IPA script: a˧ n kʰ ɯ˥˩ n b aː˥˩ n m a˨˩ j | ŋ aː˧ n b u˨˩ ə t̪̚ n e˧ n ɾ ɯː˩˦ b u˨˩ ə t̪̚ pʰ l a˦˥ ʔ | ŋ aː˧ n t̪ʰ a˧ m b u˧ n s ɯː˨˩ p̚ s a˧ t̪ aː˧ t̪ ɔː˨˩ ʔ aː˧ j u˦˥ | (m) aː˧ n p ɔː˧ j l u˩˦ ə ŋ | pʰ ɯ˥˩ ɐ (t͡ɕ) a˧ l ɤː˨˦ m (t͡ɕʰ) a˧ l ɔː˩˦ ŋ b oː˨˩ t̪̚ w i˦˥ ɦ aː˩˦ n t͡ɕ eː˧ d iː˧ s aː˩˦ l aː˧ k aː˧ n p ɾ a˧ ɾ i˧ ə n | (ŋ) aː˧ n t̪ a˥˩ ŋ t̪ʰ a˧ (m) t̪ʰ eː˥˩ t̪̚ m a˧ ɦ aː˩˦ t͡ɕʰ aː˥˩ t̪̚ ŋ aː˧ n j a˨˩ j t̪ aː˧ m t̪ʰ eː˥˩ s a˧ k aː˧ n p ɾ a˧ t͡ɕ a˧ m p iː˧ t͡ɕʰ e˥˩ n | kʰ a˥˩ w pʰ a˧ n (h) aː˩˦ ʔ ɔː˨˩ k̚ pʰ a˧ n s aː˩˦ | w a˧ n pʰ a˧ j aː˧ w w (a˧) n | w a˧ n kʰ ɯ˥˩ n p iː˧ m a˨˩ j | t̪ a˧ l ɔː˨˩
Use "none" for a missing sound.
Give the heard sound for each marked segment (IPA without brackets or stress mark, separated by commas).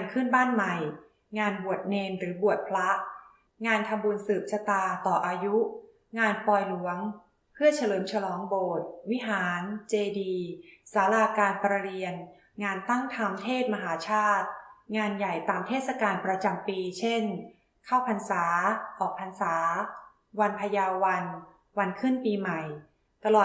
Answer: ŋ, t͡ɕʰ, t͡ɕʰ, ŋ, m, s, a˧